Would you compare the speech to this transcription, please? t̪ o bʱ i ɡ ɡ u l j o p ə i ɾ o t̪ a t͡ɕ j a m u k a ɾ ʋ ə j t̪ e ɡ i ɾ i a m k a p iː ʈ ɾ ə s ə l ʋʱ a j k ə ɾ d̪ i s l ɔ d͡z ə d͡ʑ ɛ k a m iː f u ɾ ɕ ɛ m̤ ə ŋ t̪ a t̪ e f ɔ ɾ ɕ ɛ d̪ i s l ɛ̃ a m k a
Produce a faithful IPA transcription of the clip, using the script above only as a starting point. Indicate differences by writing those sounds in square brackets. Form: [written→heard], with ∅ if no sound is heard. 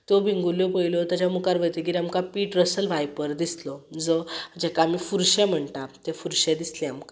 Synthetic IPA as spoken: t̪ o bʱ i [ɡ→ŋ] ɡ u l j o p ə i [ɾ→l] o t̪ a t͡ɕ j a m u k a ɾ ʋ ə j t̪ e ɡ i ɾ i a m k a p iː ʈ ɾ ə s ə l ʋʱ a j [k→p] ə ɾ d̪ i s l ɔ d͡z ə d͡ʑ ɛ k a m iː f u ɾ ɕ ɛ m̤ ə [ŋ→ɳ] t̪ a t̪ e f [ɔ→u] ɾ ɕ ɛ d̪ i s l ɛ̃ a m k a